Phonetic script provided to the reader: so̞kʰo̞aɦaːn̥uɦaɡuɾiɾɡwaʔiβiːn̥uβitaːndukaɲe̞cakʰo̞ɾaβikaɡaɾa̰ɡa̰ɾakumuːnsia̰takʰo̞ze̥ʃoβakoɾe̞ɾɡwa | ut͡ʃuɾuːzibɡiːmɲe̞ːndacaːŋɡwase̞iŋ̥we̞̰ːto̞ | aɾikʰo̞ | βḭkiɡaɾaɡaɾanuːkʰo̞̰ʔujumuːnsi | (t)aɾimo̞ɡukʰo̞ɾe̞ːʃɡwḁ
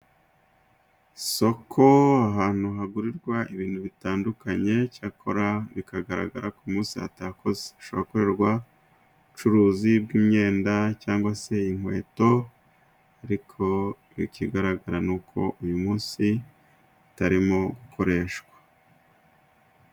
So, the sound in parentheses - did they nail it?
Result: yes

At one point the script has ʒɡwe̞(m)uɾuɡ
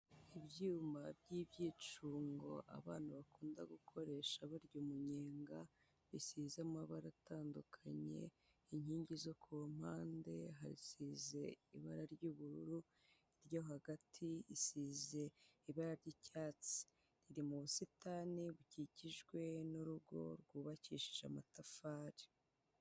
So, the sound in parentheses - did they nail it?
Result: no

